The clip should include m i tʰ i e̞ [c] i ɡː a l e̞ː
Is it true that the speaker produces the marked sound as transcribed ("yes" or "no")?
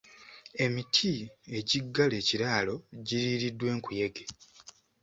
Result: no